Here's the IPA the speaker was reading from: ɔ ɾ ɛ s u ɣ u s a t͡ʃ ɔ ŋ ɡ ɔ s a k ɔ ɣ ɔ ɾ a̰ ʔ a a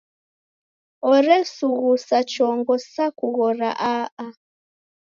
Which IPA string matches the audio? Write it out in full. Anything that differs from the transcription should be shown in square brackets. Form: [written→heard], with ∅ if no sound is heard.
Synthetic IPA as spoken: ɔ ɾ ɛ s u ɣ u s a t͡ʃ ɔ ŋ ɡ ɔ s a k [ɔ→u] ɣ ɔ ɾ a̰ ʔ a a